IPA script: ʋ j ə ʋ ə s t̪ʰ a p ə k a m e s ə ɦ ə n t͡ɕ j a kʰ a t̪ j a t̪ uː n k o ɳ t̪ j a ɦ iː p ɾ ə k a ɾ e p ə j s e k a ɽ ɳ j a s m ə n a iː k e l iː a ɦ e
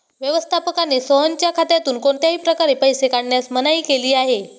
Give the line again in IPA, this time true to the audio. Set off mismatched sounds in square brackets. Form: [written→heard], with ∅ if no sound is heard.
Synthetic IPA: ʋ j ə ʋ ə s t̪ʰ a p ə k a [m→n] e s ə ɦ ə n t͡ɕ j a kʰ a t̪ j a t̪ uː n k o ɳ t̪ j a ɦ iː p ɾ ə k a ɾ e p ə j s e k a ɽ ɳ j a s m ə n a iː k e l iː a ɦ e